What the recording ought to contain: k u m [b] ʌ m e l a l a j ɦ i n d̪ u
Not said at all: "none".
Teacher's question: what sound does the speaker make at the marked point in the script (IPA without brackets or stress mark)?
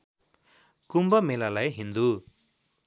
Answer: b